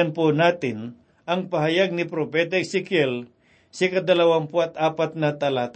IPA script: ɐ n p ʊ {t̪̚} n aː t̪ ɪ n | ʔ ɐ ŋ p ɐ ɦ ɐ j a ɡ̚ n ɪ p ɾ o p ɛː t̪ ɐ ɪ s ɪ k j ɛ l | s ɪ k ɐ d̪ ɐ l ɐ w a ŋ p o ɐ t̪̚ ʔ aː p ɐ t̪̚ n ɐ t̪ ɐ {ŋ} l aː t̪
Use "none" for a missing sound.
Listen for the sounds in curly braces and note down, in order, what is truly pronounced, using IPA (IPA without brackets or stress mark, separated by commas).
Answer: none, none